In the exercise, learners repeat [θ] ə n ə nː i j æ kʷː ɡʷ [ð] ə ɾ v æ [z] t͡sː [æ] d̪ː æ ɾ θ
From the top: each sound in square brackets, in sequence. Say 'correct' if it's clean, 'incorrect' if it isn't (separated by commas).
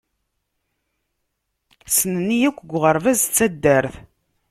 incorrect, incorrect, correct, correct